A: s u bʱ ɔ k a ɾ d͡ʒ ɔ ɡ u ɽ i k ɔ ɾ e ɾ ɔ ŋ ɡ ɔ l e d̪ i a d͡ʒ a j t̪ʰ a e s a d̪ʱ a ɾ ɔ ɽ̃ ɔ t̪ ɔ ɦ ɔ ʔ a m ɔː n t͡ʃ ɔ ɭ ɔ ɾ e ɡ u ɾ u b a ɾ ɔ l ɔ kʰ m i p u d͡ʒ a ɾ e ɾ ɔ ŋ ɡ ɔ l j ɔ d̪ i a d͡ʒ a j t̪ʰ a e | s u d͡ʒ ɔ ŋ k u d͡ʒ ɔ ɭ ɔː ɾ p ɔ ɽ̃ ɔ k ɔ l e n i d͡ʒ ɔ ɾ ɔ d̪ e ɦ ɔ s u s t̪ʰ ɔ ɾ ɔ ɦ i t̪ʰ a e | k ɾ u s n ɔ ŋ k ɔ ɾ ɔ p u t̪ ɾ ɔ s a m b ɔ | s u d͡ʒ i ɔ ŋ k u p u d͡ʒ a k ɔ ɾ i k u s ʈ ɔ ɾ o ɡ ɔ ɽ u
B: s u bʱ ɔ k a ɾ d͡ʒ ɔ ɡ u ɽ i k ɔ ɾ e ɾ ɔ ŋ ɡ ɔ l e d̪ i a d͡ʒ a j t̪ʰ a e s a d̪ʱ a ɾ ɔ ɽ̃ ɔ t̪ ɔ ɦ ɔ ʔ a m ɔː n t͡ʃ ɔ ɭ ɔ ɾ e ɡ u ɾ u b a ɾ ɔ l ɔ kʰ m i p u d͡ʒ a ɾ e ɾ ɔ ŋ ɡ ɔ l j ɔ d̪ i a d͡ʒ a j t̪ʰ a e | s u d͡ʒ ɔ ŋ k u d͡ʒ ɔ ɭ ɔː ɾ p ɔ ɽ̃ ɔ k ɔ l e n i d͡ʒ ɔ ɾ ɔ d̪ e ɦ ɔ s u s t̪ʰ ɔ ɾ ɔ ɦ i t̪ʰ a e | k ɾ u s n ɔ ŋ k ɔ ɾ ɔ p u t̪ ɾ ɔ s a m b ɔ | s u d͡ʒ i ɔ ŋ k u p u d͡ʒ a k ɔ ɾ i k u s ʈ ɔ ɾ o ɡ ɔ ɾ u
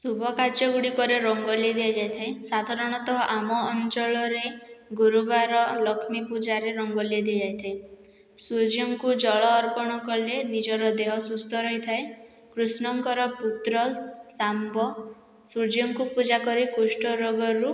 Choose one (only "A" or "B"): B